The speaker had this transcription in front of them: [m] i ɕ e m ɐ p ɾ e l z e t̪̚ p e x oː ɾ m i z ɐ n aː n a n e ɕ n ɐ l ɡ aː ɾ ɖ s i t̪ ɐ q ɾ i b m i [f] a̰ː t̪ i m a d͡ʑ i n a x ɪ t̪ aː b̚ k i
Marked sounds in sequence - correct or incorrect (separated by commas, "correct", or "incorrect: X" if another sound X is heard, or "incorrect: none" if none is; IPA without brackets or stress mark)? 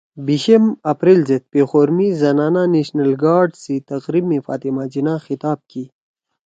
incorrect: b, correct